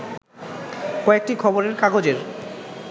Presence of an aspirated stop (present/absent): present